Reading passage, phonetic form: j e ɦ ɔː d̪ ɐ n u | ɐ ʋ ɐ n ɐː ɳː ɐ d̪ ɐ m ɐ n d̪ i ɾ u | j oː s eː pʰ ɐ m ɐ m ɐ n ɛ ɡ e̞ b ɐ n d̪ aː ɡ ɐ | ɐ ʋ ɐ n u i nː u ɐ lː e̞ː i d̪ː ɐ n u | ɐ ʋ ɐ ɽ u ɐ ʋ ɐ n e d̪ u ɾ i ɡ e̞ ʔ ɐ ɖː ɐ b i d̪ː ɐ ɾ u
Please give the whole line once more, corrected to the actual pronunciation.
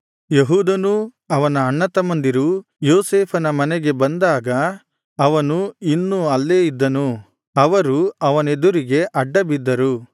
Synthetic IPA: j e ɦ uː d̪ ɐ n u | ɐ ʋ ɐ n ɐː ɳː ɐ t̪ ɐ m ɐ n d̪ i ɾ u | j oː s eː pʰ ɐ n ɐ m ɐ n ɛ ɡ e̞ b ɐ n d̪ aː ɡ ɐ | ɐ ʋ ɐ n u i nː u ɐ lː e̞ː i d̪ː ɐ n u | ɐ ʋ ɐ ɾ u ɐ ʋ ɐ n e d̪ u ɾ i ɡ e̞ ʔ ɐ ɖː ɐ b i d̪ː ɐ ɾ u